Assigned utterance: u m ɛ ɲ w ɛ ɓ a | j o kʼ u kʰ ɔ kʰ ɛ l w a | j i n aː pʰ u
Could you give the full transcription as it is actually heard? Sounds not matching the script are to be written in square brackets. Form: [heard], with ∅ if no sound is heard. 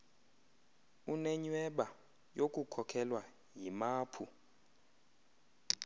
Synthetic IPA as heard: u [n] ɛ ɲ w ɛ ɓ a | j o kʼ u kʰ ɔ kʰ ɛ l w a | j i [m] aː pʰ u